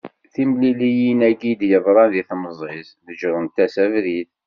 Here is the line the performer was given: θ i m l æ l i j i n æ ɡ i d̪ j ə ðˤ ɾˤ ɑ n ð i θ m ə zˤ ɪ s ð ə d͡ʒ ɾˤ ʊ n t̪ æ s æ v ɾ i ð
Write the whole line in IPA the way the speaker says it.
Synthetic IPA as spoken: θ i m l i l i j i n æ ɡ i d̪ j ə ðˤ ɾˤ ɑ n ð i θ m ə zˤ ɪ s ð ə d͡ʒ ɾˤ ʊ n t̪ æ s æ v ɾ i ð